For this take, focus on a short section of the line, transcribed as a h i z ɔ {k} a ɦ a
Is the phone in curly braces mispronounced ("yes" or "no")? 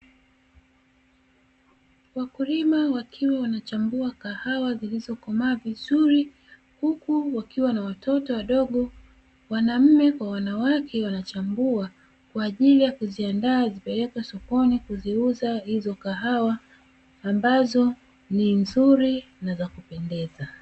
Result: no